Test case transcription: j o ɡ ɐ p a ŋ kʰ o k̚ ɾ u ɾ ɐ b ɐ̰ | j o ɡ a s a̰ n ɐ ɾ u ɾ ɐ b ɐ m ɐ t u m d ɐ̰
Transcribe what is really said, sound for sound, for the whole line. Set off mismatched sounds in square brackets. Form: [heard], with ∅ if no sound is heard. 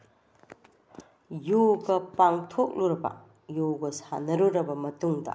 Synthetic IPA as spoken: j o ɡ ɐ p a ŋ [tʰ] o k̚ [l] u ɾ ɐ b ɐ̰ | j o ɡ [ɐ] s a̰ n ɐ ɾ u ɾ ɐ b ɐ m ɐ t u [ŋ] d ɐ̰